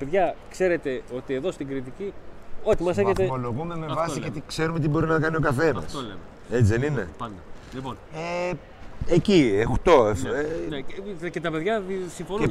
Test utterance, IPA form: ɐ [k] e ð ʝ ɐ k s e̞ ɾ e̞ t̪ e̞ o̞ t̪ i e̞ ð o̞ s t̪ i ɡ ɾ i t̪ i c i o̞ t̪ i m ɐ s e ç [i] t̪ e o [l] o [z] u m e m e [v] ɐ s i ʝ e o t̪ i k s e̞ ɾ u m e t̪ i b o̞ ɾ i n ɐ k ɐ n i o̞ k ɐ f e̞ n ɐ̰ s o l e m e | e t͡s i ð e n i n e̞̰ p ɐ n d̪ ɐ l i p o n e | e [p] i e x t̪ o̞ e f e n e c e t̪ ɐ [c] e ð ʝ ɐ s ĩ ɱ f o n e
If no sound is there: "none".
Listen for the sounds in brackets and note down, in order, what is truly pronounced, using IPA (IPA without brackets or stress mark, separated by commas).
p, e, l, ɣ, v, c, p